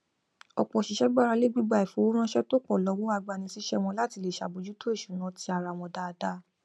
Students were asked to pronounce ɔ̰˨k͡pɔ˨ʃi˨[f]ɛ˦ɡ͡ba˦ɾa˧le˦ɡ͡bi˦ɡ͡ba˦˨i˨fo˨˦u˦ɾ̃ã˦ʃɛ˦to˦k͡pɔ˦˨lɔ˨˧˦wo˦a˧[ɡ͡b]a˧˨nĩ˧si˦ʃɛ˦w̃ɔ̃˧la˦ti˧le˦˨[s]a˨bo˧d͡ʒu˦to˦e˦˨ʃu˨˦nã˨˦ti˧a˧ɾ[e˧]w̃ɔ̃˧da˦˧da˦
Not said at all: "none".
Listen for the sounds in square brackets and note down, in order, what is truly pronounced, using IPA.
ʃ, ɡ͡b, ʃ, a˧

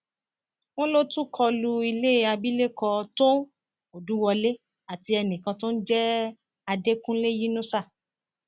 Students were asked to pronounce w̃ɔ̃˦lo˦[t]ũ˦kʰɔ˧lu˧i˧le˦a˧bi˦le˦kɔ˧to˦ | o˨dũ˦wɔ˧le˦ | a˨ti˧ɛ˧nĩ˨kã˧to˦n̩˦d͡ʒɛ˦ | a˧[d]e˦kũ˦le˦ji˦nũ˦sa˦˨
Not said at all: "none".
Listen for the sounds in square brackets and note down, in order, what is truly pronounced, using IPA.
t, d

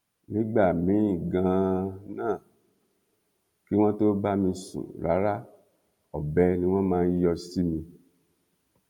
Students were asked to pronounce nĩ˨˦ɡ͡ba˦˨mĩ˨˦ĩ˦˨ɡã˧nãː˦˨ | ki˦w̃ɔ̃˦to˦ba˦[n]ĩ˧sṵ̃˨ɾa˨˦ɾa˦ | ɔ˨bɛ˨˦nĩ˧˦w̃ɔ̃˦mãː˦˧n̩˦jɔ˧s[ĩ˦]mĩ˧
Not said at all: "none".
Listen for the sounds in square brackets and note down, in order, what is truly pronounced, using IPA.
m, i˦

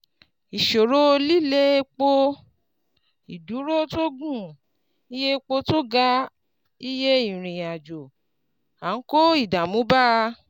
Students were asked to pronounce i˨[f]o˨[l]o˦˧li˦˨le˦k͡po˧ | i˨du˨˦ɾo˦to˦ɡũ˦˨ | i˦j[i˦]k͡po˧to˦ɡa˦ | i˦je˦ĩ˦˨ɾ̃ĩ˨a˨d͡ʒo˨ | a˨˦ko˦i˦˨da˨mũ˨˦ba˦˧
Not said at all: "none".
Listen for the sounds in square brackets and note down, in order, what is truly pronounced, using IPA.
ʃ, ɾ, e˦

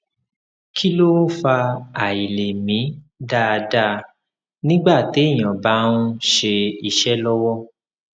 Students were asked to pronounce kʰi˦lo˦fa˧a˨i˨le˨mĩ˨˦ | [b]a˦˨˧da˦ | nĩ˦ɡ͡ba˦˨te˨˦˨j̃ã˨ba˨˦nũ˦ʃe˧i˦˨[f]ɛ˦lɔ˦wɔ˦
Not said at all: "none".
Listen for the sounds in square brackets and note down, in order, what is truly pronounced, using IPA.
d, ʃ

